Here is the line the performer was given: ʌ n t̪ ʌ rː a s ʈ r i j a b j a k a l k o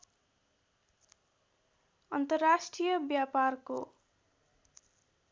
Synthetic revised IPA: ʌ n t̪ ʌ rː a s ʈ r i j ʌ b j a p a r k o